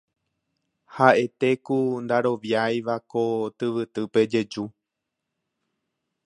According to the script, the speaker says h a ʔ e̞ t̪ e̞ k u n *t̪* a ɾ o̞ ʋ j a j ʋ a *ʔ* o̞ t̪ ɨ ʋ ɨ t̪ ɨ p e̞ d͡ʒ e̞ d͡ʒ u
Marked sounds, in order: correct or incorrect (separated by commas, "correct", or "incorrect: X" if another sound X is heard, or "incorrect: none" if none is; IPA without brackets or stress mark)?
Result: incorrect: d̪, incorrect: k